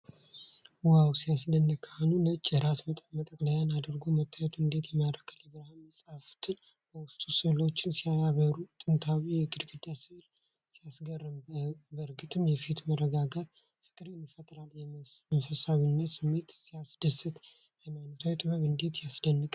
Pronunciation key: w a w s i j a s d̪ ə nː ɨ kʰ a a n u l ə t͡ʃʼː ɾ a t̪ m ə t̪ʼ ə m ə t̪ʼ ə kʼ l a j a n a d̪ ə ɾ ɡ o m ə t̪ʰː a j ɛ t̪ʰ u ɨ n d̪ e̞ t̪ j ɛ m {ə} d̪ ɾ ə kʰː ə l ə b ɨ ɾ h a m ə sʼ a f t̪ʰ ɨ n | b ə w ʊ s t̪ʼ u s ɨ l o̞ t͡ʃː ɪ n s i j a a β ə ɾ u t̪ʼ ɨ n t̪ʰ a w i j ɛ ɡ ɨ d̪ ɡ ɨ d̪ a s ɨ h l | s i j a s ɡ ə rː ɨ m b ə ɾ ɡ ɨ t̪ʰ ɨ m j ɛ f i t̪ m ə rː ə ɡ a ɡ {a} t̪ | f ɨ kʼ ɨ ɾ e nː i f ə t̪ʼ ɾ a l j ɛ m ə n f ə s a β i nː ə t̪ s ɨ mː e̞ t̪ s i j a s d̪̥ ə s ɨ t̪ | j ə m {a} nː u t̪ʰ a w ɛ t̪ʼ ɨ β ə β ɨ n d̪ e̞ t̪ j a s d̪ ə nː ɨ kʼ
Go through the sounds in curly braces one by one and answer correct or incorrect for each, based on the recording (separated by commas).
incorrect, correct, correct